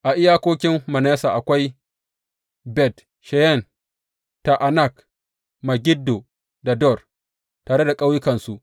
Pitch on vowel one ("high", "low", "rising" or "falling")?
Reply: low